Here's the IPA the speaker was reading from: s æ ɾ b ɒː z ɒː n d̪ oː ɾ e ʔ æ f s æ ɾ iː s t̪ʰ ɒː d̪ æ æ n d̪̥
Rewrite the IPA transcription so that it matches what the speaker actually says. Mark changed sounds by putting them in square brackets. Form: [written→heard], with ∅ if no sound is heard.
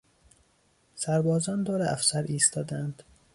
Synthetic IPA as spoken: s æ ɾ b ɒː z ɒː n d̪ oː ɾ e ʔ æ f s æ ɾ iː s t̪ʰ ɒː d̪ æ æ n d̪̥